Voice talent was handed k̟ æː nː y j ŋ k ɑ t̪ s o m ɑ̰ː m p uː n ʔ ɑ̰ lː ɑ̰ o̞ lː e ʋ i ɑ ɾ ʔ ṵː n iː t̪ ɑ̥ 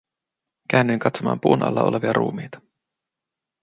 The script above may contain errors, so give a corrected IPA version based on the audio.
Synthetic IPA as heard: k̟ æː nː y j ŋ k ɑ t̪ s o m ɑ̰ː m p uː n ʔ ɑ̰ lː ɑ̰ o̞ l e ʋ i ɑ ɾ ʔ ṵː m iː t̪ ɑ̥